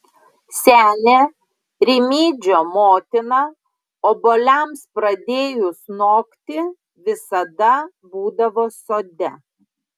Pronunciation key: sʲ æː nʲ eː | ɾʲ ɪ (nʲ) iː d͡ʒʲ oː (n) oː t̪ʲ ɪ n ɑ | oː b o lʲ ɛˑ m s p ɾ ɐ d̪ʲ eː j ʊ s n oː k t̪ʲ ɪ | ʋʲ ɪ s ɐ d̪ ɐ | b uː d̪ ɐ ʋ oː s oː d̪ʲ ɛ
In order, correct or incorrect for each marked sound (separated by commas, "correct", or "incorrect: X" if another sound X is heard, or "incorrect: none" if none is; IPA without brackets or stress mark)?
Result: incorrect: mʲ, incorrect: m